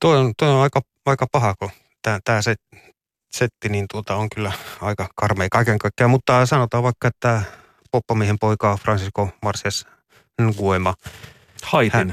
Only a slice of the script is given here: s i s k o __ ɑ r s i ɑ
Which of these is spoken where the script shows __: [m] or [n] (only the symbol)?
m